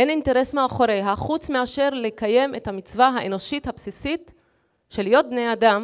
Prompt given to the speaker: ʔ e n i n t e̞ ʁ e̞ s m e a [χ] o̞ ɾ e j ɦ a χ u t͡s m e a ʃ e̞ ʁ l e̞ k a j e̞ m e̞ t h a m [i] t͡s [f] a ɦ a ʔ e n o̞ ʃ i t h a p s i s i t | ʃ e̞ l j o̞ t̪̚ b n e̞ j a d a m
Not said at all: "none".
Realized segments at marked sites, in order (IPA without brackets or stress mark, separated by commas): χ, i, v